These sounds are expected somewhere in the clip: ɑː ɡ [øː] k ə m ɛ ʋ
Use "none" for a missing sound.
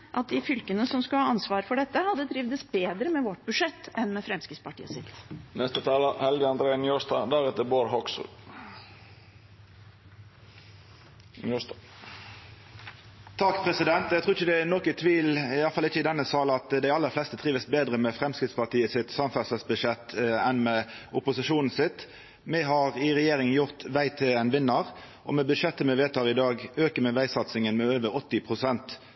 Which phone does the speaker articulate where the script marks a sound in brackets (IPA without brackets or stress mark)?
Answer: øː